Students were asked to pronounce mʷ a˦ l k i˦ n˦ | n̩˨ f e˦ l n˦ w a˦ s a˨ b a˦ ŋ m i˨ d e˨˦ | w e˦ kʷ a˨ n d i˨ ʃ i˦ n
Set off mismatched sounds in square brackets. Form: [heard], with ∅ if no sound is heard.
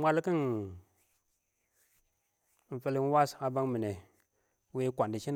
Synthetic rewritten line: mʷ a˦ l k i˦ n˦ | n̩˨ f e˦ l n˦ w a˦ s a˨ b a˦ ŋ m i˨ [n] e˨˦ | w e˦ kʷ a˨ n d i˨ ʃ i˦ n